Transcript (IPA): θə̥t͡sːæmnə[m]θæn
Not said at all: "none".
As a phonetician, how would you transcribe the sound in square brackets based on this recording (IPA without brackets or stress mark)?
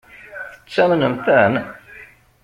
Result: m